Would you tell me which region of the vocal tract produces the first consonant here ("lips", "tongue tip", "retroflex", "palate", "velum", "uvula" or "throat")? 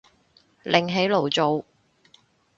tongue tip